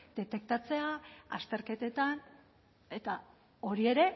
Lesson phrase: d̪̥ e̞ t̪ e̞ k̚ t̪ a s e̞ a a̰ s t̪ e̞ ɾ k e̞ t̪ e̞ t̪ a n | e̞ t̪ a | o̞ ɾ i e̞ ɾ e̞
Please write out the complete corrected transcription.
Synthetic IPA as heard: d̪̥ e̞ t̪ e̞ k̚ t̪ a t͡s e̞ a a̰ s t̪ e̞ ɾ k e̞ t̪ e̞ t̪ a n | e̞ t̪ a | o̞ ɾ i e̞ ɾ e̞

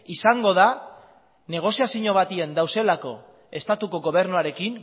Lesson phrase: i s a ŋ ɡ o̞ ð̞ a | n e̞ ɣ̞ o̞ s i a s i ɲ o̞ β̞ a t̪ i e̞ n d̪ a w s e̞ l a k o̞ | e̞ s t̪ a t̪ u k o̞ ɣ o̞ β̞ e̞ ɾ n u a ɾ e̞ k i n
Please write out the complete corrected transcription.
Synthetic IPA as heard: i s a ŋ ɡ o̞ ð̞ a | n e̞ ɣ̞ o̞ s i a s i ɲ o̞ β̞ a t̪ i e̞ n d̪ a w s e̞ l a k o̞ | e̞ s t̪ a t̪ u k o̞ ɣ o̞ β̞ e̞ ɾ n u a ɾ e̞ k i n

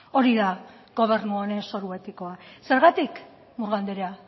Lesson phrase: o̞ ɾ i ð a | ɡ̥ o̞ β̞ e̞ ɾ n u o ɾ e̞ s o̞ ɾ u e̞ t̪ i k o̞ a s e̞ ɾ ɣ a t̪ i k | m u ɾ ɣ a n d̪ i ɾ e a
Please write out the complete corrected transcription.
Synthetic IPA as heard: o̞ ɾ i ð a | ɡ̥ o̞ β̞ e̞ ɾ n u o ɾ e̞ s o̞ ɾ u e̞ t̪ i k o̞ a s e̞ ɾ ɣ a t̪ i k | m u ɾ ɣ a n d̪ e ɾ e a

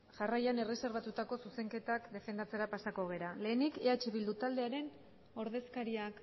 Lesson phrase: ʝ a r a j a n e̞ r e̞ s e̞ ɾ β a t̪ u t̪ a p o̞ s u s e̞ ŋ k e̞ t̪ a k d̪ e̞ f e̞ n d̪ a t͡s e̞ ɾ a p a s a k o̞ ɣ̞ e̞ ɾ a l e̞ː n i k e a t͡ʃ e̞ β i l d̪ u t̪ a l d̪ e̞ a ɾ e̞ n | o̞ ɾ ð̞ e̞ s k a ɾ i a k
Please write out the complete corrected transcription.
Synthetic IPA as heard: ʝ a r a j a n e̞ r e̞ s e̞ ɾ β a t̪ u t̪ a k o̞ s u s e̞ ŋ k e̞ t̪ a k d̪ e̞ f e̞ n d̪ a t͡s e̞ ɾ a p a s a k o̞ ɣ̞ e̞ ɾ a l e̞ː n i k e a t͡ʃ e̞ β i l d̪ u t̪ a l d̪ e̞ a ɾ e̞ n | o̞ ɾ ð̞ e̞ s k a ɾ i a k

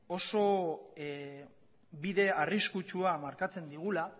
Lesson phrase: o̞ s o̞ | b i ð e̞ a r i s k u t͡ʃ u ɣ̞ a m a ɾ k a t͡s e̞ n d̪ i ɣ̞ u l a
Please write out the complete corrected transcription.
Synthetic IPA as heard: o̞ s o̞ | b i ð e̞ a r i s k u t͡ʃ u a m a ɾ k a t͡s e̞ n d̪ i ɣ̞ u l a

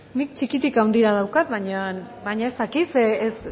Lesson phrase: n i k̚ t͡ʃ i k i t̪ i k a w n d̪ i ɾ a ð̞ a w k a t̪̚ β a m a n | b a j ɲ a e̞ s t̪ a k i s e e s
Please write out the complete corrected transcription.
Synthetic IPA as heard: n i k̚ t͡ʃ i k i t̪ i k a w n d̪ i ɾ a ð̞ a w k a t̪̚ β a ɲ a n | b a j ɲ a e̞ s t̪ a k i s e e s

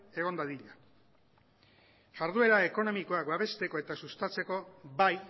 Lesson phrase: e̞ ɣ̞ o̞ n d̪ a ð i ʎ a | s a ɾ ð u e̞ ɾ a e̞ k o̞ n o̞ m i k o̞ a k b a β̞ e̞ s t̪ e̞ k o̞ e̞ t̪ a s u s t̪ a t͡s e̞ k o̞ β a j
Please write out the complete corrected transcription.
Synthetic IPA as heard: e̞ ɣ̞ o̞ n d̪ a ð i ʎ a | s a ɾ ð u e̞ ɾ a e̞ k o̞ n o̞ m i k o̞ a k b a β̞ e̞ s t̪ e̞ k o̞ e̞ t̪ a s u s t̪ a t͡s e̞ k o̞ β a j

